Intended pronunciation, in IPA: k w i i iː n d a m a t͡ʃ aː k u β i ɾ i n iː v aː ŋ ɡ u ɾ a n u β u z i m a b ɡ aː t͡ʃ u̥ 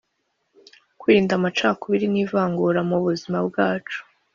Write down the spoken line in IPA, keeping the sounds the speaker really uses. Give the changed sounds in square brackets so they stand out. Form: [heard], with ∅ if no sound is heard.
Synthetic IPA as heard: k w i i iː n d a m a t͡ʃ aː k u β i ɾ i n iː v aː ŋ ɡ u ɾ a [m] u β u z i m a b ɡ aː t͡ʃ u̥